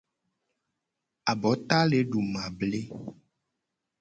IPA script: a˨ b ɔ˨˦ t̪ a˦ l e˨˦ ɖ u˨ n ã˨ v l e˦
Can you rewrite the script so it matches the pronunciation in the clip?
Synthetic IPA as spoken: a˨ b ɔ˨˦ t̪ a˦ l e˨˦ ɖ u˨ m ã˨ b l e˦